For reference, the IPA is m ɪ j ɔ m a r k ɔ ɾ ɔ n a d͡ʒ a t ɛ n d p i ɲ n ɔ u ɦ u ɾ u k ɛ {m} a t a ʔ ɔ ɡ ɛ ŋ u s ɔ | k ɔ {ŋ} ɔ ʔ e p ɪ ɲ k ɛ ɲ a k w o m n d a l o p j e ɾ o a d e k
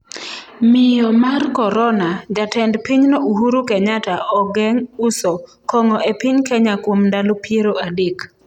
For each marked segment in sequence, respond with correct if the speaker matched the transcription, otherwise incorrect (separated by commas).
incorrect, correct